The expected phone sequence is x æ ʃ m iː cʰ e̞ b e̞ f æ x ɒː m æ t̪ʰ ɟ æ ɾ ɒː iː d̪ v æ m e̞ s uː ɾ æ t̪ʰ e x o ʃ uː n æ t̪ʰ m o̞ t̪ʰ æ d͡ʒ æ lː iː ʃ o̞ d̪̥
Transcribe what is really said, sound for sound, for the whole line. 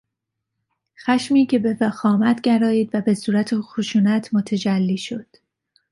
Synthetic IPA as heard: x æ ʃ m iː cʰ e̞ b e̞ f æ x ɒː m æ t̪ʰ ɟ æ ɾ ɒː iː d̪ v æ b e̞ s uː ɾ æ t̪ʰ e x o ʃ uː n æ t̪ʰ m o̞ t̪ʰ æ d͡ʒ æ lː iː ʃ o̞ d̪̥